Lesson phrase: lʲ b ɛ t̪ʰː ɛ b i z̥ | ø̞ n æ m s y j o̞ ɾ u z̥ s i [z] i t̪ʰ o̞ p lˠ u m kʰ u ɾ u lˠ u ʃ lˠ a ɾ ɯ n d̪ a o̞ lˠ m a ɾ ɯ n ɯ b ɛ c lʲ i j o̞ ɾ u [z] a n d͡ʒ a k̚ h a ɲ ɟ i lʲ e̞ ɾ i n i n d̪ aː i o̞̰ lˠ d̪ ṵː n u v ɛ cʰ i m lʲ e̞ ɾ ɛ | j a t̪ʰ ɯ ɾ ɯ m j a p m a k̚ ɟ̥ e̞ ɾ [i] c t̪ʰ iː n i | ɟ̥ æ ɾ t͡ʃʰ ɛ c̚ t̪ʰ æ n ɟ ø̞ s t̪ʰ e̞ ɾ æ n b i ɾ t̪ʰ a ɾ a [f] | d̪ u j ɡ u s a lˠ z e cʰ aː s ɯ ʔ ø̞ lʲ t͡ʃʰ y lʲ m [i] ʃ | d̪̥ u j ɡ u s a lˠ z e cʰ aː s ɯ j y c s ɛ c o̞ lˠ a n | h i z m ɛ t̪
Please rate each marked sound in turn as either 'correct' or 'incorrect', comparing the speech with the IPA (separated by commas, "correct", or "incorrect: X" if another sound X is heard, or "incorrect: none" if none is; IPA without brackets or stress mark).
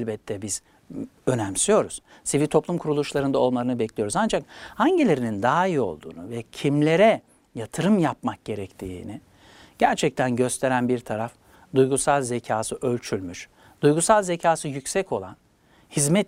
incorrect: v, correct, incorrect: ɛ, correct, incorrect: y